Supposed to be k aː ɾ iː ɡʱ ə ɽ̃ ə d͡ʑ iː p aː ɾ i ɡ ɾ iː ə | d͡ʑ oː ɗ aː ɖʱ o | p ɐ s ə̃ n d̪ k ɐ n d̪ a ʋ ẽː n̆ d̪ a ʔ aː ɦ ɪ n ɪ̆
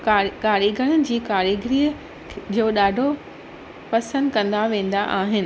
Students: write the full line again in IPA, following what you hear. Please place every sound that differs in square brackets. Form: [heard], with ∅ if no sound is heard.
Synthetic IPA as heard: k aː ɾ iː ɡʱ ə ɽ̃ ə d͡ʑ iː [k] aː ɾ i ɡ ɾ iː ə | d͡ʑ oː ɗ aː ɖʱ o | p ɐ s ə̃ n d̪ k [ɐ̃] n d̪ a ʋ ẽː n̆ d̪ a ʔ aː ɦ ɪ n ɪ̆